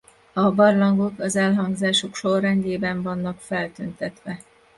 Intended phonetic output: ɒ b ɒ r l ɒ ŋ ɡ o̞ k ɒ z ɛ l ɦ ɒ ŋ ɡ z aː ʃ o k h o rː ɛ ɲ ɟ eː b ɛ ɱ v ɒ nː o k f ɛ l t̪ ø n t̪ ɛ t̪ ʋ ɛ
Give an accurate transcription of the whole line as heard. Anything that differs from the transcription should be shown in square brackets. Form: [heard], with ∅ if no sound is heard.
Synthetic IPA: ɒ b ɒ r l ɒ ŋ ɡ o̞ k ɒ z ɛ l ɦ ɒ ŋ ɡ z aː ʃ o k [ʃ] o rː ɛ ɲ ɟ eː b ɛ ɱ v ɒ nː [ɒ] k f ɛ l t̪ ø n t̪ ɛ t̪ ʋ ɛ